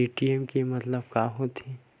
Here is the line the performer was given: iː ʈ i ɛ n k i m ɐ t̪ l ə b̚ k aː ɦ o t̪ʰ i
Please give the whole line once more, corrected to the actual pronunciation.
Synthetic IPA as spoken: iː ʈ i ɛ m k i m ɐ t̪ l ə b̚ k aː ɦ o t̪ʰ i